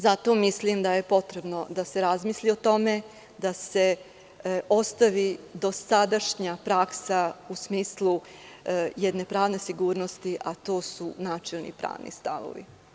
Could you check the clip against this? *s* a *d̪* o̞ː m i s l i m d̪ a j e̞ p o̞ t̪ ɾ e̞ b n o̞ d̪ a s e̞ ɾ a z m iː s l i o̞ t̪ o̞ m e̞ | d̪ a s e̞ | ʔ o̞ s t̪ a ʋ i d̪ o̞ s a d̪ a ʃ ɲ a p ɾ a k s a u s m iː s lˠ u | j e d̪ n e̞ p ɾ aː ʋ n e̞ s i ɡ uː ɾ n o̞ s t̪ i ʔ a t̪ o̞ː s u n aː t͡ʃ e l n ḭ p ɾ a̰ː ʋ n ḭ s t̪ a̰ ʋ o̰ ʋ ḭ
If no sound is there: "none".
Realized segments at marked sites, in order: z, t̪

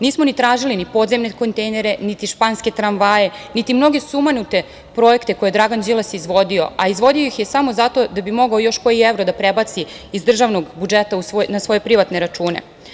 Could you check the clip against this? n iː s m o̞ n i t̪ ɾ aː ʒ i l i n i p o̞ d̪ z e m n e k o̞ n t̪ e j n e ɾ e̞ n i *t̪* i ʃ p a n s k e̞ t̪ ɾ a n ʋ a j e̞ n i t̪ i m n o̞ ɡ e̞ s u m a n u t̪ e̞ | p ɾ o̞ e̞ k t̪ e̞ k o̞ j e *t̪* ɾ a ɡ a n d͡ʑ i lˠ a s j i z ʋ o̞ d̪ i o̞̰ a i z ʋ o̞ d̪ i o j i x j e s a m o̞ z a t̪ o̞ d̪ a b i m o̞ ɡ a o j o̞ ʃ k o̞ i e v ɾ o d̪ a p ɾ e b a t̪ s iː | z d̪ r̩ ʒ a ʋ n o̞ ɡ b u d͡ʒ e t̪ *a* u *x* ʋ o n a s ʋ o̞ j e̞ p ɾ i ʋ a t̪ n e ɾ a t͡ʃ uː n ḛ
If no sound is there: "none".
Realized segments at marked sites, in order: t̪, d̪, a, s

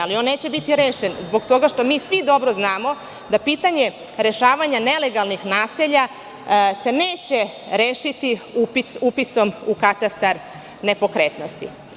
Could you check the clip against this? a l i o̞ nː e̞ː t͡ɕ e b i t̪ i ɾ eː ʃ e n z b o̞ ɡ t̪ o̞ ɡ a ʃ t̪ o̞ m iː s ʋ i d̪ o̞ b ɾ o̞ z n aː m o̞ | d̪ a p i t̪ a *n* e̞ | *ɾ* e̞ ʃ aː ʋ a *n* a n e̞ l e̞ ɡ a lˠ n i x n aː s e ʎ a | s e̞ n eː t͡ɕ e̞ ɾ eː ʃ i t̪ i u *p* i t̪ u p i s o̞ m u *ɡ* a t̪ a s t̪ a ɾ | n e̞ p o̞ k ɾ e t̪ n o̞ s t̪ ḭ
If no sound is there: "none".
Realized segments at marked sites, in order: ɲ, ɾ, ɲ, p, k

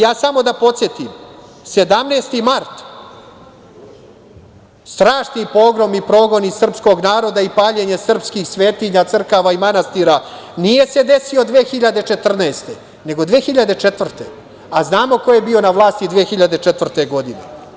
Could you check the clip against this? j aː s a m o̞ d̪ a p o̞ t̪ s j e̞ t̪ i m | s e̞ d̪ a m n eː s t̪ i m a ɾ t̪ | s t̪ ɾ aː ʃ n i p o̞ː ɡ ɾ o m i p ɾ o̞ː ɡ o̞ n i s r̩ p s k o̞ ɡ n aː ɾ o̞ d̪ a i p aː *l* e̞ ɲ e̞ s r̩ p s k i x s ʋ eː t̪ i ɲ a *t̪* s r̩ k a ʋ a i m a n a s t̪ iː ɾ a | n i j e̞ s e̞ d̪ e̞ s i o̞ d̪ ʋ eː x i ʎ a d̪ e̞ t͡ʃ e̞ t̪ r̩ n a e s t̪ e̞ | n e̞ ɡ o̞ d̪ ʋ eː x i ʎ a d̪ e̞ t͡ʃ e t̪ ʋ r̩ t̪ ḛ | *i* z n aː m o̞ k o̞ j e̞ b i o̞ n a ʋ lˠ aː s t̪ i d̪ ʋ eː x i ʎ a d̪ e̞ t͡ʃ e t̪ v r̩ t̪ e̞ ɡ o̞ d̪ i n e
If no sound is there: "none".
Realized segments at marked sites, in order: ʎ, t̪, a

